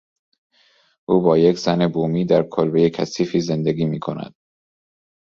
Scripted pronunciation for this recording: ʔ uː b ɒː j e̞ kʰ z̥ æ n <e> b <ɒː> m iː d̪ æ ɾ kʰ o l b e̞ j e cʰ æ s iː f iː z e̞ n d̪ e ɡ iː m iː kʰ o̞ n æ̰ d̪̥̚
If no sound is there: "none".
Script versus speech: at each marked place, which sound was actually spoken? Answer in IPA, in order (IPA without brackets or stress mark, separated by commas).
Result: e, uː